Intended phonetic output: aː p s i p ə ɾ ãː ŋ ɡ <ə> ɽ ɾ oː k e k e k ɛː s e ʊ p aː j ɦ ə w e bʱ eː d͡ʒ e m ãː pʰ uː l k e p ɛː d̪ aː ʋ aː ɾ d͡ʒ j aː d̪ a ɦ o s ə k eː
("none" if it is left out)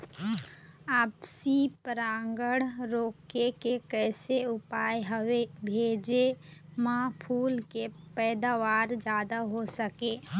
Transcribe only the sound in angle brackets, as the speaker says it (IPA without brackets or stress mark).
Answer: ə